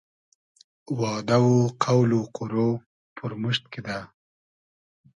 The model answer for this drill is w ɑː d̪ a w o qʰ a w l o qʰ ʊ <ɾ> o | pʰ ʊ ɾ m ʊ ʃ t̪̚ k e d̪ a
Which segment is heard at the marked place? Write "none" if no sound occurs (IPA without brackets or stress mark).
ɾ